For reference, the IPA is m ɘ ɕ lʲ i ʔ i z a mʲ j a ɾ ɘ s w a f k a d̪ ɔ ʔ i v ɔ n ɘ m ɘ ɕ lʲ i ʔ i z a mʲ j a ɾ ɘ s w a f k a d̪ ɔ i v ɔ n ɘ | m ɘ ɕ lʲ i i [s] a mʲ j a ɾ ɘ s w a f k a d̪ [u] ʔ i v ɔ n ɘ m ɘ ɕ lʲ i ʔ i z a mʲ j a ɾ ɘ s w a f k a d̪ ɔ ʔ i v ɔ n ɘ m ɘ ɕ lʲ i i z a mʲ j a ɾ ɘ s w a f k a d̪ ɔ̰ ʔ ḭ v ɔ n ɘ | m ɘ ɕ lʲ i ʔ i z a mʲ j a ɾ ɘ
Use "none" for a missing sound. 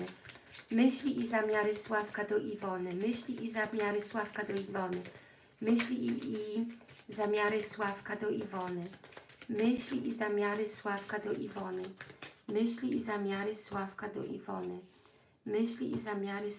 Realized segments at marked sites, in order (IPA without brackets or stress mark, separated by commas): z, ɔ